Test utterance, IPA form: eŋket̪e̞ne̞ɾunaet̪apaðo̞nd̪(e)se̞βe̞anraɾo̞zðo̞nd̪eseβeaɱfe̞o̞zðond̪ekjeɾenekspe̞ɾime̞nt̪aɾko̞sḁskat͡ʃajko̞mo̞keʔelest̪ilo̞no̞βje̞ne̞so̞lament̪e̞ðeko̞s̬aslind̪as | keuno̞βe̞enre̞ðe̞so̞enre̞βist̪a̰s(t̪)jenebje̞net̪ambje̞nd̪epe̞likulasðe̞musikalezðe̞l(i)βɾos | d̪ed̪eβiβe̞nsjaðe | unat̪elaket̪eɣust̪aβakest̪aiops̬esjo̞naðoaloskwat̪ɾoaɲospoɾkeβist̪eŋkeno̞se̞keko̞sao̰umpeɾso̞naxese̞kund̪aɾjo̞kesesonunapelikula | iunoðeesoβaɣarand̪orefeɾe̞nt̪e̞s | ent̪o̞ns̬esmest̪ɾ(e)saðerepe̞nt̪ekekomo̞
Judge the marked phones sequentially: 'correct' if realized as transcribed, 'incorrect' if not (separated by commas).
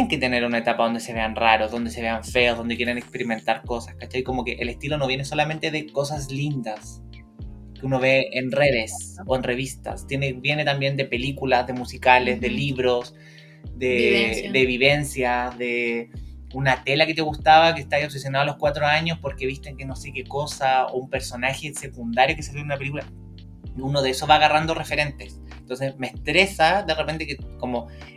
correct, correct, correct, correct